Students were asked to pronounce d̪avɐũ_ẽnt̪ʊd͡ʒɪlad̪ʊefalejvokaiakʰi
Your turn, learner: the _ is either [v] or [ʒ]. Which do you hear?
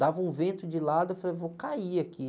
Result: v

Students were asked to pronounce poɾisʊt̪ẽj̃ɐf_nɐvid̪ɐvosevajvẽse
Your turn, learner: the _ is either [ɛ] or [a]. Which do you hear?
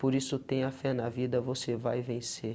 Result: ɛ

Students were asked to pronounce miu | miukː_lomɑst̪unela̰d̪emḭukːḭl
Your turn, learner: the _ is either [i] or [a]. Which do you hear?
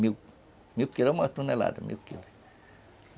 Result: i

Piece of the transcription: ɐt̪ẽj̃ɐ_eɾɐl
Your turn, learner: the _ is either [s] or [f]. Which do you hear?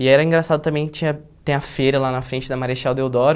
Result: f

